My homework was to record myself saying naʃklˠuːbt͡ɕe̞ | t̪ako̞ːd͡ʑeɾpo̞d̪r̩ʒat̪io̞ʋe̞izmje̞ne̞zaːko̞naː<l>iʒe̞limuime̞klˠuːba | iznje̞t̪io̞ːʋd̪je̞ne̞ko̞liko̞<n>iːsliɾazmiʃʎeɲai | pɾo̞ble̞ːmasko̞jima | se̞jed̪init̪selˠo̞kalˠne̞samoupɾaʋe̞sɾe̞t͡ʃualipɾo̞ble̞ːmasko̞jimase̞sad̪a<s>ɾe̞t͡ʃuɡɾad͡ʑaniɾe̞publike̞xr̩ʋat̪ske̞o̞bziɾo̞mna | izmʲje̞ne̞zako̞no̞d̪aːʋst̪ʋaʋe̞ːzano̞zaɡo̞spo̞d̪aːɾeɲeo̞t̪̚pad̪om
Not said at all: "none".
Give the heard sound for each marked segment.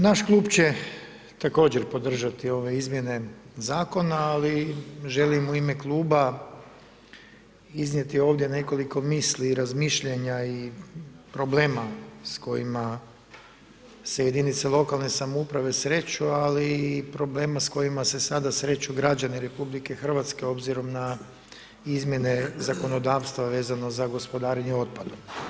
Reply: l, m, s

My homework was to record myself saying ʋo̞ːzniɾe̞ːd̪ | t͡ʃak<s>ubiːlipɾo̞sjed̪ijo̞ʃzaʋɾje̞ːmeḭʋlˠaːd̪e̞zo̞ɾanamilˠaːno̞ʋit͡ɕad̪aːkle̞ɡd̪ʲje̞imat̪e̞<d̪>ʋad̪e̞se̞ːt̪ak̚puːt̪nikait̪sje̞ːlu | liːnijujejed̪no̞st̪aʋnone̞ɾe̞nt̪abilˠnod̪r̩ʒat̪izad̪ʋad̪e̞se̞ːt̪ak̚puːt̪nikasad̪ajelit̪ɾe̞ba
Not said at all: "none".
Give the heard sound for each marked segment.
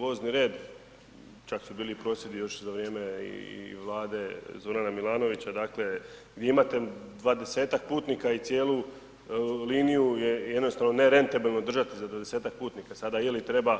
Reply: s, d̪

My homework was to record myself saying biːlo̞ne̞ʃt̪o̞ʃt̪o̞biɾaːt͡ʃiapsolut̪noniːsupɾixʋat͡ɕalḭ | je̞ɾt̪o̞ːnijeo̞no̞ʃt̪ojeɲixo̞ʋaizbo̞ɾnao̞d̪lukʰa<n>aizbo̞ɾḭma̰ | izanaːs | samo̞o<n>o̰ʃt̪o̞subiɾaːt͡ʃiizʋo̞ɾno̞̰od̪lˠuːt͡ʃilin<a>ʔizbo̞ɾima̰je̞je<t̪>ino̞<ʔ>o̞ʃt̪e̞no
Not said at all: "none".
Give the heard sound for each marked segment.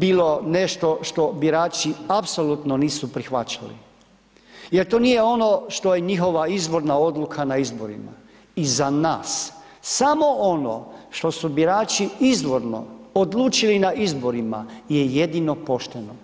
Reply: n, n, a, d̪, p

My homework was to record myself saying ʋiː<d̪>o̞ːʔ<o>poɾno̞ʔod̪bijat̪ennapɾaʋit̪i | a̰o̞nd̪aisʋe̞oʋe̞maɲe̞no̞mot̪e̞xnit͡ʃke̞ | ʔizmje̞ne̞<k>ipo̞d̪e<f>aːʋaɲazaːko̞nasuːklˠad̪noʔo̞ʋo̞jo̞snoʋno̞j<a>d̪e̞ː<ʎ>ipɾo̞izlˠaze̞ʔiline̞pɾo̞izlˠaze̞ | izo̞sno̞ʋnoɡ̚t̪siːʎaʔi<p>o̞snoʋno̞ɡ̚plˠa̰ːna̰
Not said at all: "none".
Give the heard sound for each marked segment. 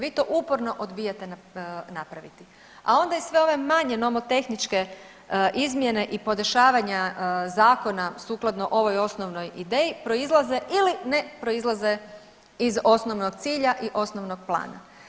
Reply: t̪, u, ʔ, ʃ, i, j, ʔ

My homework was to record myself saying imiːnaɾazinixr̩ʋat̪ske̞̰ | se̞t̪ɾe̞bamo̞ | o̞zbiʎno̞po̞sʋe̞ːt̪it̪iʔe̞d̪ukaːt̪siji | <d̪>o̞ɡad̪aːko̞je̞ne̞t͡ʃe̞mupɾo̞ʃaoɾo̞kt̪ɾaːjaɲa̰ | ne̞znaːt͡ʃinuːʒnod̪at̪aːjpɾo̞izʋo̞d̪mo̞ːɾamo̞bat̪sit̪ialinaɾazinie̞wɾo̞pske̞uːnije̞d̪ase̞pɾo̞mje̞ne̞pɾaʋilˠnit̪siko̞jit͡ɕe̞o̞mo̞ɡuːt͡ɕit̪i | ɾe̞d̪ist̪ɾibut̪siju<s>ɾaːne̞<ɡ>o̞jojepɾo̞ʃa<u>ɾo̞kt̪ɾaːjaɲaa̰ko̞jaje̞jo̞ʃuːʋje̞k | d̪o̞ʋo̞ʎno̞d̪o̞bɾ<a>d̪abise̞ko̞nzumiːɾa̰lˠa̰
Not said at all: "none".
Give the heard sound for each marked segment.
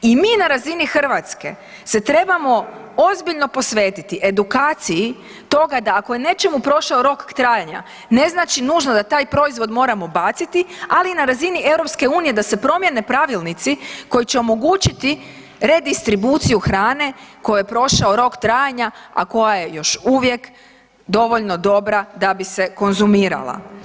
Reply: t̪, x, k, o, a

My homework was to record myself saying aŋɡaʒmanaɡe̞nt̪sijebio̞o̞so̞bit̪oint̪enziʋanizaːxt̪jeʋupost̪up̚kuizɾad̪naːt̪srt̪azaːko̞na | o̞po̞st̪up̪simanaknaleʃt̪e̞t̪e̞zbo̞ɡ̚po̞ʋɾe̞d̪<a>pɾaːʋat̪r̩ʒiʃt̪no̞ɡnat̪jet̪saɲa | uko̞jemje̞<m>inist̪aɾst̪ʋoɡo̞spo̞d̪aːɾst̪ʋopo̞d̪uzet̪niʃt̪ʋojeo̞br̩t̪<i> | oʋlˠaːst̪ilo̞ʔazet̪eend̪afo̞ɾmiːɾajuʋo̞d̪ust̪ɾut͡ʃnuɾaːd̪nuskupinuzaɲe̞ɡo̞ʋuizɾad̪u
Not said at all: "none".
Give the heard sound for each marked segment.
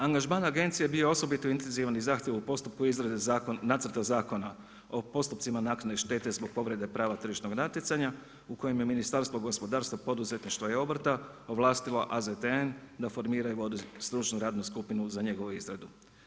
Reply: e, m, a

